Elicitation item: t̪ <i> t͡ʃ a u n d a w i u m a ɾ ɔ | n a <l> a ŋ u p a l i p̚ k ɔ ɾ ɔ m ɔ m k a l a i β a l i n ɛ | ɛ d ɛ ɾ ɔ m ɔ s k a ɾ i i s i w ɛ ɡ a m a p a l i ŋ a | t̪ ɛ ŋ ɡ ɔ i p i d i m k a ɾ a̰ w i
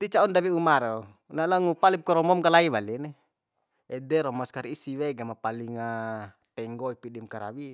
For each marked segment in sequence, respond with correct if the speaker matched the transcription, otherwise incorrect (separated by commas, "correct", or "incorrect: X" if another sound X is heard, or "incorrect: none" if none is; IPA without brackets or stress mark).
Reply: correct, correct